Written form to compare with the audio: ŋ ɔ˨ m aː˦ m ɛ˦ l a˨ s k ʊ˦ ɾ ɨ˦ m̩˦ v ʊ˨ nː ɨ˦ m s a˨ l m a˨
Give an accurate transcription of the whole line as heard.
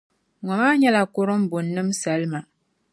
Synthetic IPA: ŋ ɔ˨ m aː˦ ɲ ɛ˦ l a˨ k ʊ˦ ɾ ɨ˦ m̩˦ b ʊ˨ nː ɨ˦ m s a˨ l m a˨